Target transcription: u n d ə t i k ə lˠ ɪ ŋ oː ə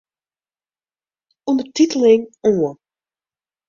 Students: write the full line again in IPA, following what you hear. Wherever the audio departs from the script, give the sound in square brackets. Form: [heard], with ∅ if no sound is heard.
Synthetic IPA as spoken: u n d ə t i [t] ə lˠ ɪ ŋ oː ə